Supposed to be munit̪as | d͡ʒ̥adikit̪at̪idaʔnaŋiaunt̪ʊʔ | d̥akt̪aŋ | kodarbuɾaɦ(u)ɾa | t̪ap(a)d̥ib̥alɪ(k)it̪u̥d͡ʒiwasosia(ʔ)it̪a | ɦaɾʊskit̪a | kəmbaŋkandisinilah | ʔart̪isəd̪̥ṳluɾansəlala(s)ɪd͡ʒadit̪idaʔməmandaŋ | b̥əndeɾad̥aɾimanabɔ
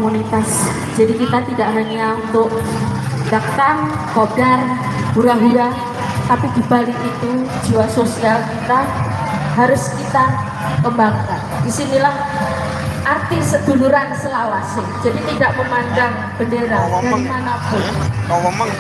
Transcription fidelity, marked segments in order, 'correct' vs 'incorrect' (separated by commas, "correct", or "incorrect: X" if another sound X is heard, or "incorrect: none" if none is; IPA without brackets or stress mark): correct, incorrect: i, correct, incorrect: k, correct